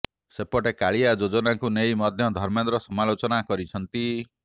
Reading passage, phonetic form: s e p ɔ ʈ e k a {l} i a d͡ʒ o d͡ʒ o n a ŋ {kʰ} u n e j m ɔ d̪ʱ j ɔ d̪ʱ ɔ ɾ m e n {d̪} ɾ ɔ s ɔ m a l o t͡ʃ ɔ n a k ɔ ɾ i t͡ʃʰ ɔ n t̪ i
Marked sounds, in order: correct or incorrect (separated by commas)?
incorrect, incorrect, correct